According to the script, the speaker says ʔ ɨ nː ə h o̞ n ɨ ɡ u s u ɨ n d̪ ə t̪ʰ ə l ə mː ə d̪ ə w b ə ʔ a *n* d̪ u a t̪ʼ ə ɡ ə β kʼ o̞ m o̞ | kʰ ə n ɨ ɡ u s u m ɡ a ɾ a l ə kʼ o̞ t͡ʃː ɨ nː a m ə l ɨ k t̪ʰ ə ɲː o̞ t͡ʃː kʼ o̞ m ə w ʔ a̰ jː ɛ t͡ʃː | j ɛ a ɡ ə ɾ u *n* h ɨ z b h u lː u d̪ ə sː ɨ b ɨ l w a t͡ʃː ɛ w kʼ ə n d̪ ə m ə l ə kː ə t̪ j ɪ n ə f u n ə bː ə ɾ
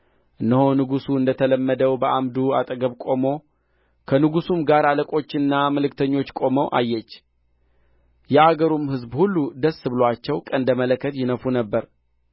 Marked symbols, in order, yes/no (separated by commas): no, no